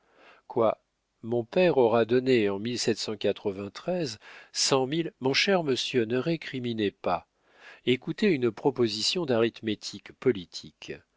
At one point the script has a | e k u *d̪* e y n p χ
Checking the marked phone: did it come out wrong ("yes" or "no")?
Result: yes